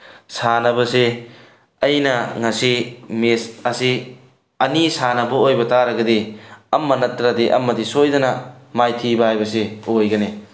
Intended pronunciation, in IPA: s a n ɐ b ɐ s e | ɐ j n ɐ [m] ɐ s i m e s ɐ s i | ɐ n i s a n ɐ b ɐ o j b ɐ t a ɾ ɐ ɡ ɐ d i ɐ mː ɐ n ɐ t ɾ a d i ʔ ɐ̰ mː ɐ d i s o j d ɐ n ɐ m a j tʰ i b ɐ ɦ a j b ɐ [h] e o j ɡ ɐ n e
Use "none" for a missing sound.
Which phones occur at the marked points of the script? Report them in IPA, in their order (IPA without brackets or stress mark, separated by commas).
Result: ŋ, s